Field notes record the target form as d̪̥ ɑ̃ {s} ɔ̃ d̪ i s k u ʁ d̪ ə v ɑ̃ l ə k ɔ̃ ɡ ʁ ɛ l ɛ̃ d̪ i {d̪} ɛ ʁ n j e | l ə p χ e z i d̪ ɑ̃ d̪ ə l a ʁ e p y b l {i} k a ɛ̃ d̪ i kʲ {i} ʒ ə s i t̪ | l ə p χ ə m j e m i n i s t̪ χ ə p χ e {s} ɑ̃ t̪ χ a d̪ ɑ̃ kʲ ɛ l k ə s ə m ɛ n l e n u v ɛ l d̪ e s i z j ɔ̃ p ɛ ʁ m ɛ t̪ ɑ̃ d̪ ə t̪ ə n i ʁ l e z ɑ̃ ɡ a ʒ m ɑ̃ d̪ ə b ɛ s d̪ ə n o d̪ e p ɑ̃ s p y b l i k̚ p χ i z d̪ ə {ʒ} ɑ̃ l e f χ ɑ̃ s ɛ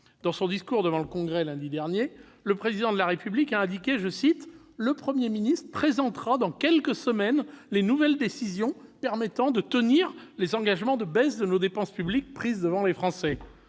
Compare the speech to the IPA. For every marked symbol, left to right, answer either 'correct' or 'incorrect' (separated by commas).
correct, correct, correct, incorrect, incorrect, incorrect